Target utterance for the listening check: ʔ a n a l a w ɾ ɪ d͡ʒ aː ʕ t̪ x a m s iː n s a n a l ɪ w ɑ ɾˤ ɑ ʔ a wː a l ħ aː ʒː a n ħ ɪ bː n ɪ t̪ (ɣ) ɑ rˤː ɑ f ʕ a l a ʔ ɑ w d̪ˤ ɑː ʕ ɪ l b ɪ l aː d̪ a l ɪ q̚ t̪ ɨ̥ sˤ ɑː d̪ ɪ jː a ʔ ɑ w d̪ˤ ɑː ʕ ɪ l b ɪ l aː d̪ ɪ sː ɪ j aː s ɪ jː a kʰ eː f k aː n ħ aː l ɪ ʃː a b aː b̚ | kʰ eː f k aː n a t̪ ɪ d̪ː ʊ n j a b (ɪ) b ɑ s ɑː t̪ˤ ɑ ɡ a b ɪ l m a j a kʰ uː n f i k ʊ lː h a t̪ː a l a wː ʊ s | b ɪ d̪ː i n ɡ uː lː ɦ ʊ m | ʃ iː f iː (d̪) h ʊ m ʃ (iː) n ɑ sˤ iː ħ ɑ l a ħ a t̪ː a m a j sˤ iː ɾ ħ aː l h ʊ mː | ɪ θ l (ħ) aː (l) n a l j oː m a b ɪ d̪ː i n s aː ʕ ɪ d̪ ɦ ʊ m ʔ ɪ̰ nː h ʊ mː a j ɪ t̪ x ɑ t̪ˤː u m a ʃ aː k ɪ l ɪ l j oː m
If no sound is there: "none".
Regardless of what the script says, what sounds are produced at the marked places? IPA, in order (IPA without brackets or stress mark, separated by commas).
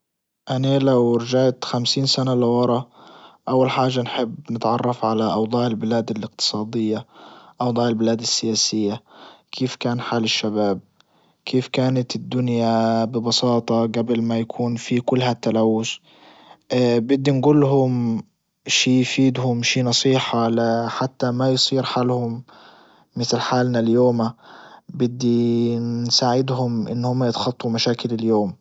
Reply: ʕ, ɪ, d̪, iː, ħ, l